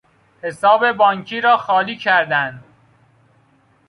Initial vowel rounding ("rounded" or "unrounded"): unrounded